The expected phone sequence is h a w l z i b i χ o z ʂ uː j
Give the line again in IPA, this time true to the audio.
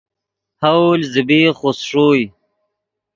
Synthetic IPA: h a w l z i b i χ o s ʂ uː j